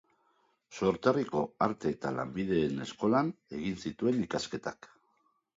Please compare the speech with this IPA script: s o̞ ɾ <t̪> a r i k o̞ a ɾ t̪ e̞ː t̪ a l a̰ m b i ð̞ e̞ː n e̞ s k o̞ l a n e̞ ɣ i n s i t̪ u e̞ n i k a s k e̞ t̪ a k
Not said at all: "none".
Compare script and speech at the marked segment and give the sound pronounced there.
t̪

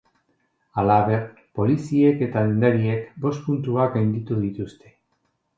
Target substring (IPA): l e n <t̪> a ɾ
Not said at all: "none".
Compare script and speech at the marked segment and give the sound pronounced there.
d̪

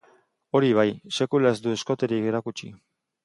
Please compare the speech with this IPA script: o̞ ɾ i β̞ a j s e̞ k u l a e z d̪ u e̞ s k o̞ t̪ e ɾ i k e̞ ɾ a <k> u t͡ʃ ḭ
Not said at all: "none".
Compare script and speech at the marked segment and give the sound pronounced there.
k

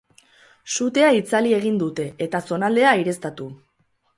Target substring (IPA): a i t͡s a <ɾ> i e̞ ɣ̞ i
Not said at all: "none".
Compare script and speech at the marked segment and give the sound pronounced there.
l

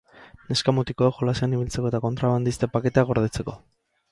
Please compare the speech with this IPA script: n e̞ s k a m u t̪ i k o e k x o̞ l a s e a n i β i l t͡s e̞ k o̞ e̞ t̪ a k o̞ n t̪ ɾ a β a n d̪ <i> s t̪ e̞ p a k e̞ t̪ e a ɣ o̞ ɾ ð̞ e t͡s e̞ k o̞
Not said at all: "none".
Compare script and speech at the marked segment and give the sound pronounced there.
i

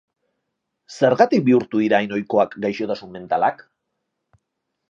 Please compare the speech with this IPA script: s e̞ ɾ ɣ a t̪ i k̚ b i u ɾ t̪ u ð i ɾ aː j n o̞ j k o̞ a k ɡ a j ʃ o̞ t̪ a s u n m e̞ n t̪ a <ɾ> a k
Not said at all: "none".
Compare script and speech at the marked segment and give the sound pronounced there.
l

